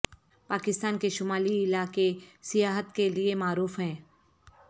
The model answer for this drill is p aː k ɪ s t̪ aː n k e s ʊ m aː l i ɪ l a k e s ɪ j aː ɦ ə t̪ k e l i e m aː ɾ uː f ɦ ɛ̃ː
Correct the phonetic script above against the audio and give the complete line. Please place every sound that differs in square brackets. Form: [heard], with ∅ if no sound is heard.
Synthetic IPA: p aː k ɪ s t̪ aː n k e [ʃ] ʊ m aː l i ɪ l a k e s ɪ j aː ɦ ə t̪ k e l i e m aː ɾ uː f ɦ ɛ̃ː